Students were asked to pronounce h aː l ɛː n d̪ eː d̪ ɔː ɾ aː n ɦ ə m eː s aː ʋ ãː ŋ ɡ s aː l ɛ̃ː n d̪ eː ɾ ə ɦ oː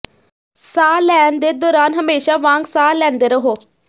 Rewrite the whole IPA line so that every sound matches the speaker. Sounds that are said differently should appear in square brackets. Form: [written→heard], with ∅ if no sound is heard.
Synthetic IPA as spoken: [h→s] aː l ɛː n d̪ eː d̪ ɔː ɾ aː n ɦ ə m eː [s→ʃ] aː ʋ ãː ŋ ɡ s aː l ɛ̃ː n d̪ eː ɾ ə ɦ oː